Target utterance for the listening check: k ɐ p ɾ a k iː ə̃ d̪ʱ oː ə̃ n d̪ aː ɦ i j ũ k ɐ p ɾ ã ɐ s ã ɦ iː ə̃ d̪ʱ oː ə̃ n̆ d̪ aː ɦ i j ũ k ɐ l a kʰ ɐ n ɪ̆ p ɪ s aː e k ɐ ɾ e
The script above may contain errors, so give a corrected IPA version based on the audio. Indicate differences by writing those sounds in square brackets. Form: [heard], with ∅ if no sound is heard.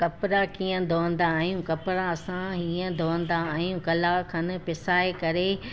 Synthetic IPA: k ɐ p ɾ a k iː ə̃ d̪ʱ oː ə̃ n d̪ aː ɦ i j ũ k ɐ p ɾ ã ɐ s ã ɦ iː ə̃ d̪ʱ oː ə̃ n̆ d̪ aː ɦ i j ũ k ɐ l a kʰ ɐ n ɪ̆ p ɪ s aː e k ɐ ɾ e